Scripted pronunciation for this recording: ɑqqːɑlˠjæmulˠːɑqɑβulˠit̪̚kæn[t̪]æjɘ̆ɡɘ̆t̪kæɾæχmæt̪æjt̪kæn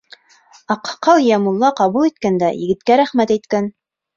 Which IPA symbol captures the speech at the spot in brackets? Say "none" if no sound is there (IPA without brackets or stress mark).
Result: d̪